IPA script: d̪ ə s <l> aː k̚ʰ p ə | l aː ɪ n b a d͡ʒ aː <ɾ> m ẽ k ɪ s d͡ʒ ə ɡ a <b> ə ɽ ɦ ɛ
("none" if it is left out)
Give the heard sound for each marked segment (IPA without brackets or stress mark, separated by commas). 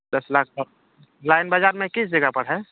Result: l, ɾ, p